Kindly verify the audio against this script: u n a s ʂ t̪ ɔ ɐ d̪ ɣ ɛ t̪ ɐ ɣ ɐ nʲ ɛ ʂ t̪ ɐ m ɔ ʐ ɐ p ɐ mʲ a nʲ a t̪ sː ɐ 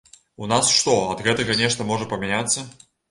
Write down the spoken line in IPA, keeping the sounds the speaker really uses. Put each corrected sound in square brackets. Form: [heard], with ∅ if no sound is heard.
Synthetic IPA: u n a s ʂ t̪ ɔ ɐ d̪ ɣ ɛ t̪ ɐ ɣ ɐ nʲ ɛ ʂ t̪ ɐ m ɔ ʐ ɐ p ɐ mʲ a nʲ a t̪ sː ɐ